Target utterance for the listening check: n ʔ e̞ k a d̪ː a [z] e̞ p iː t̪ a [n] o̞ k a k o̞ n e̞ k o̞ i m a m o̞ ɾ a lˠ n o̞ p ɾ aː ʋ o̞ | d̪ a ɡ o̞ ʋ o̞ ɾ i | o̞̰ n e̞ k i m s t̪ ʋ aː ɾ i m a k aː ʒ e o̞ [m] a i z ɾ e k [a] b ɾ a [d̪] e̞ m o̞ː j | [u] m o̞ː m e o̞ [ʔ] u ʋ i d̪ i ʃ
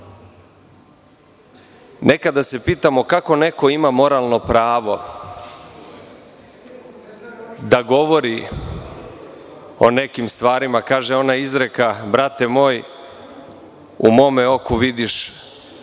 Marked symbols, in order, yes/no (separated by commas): no, no, no, yes, no, yes, no